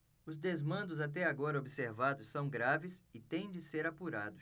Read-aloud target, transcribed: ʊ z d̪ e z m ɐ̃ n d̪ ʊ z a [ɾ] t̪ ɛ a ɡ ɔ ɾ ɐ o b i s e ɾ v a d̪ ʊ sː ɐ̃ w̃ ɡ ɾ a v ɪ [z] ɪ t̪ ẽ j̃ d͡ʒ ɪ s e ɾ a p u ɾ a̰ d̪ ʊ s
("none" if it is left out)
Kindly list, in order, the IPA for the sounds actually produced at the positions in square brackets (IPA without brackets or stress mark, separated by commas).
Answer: none, s